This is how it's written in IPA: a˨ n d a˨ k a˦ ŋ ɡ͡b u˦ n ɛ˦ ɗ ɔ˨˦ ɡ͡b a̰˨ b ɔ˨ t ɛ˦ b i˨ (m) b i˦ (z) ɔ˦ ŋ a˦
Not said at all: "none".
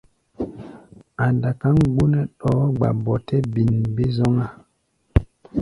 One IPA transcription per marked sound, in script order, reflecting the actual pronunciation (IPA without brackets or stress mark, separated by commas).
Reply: n, z